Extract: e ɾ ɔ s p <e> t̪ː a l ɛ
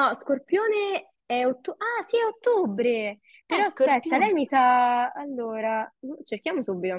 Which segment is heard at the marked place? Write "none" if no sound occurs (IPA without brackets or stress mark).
ɛ